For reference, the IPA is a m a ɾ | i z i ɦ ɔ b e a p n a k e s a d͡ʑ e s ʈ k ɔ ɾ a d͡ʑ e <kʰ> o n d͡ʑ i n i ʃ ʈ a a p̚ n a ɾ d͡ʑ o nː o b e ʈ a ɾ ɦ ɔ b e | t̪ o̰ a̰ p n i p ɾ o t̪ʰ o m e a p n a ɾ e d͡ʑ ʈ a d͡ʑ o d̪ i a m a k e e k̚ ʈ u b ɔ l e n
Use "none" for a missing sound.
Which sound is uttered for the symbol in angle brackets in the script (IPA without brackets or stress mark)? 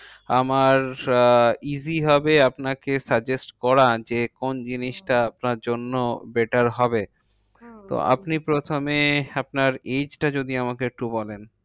k